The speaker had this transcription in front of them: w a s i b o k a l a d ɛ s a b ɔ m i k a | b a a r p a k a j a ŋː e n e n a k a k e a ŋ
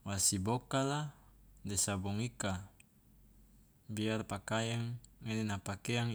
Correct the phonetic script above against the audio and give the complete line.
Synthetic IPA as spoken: w a s i b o k a l a d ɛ s a b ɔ ŋ i k a | b i a r p a k a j a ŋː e n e n a p a k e a ŋ